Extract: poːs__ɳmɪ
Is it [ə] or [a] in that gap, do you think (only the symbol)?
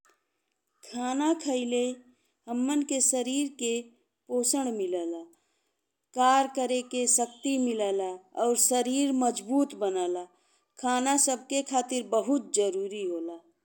ə